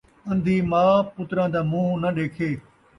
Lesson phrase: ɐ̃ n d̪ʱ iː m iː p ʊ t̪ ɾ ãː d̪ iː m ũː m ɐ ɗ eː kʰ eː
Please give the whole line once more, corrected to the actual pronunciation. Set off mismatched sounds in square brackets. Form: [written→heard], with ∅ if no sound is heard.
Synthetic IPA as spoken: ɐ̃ n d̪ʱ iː m [iː→aː] p ʊ t̪ ɾ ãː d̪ [iː→aː] m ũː [m→n] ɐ ɗ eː kʰ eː